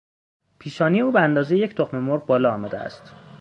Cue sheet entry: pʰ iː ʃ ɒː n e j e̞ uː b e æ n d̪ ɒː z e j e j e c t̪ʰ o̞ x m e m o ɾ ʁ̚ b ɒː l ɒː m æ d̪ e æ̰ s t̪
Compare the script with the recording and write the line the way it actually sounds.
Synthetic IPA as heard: pʰ iː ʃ ɒː n i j e̞ uː b e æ n d̪ ɒː z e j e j e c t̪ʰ o̞ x m e m o ɾ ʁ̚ b ɒː l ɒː m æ d̪ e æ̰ s t̪